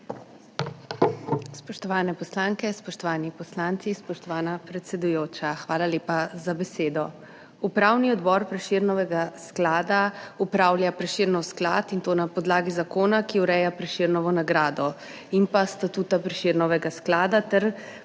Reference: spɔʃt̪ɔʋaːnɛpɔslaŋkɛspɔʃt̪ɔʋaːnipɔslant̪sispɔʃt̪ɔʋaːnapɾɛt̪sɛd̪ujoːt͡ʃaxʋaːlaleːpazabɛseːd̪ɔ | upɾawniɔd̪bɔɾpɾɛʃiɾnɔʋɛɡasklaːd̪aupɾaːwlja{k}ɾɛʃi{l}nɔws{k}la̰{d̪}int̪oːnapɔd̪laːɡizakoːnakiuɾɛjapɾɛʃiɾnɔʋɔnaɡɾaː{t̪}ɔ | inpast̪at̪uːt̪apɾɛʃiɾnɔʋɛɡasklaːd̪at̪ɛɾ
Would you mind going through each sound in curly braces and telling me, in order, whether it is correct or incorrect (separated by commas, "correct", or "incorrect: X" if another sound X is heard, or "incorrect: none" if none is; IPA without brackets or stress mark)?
incorrect: p, incorrect: ɾ, correct, incorrect: t̪, incorrect: d̪